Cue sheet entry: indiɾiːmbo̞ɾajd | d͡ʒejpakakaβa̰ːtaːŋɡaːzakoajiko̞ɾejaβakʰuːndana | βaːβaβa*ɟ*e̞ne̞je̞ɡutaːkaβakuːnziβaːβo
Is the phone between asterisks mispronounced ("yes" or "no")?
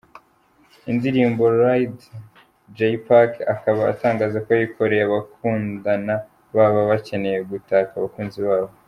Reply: yes